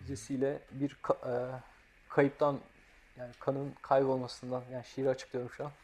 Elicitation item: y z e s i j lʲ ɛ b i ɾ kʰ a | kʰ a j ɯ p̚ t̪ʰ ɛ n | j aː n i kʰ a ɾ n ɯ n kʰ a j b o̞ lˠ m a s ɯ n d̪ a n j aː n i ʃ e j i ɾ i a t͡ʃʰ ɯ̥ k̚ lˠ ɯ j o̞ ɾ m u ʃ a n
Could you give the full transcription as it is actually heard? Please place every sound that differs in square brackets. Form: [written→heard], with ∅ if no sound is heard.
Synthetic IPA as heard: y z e s i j lʲ ɛ b i ɾ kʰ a | kʰ a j ɯ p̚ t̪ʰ [ɛ→a] n | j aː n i kʰ a [ɾ→∅] n ɯ n kʰ a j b o̞ lˠ m a s ɯ n d̪ a n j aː n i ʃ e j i ɾ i a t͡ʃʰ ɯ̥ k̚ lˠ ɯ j o̞ ɾ m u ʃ a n